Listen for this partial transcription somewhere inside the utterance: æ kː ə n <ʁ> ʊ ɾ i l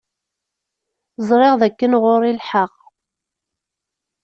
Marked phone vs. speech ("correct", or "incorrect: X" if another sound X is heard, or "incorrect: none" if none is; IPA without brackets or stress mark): correct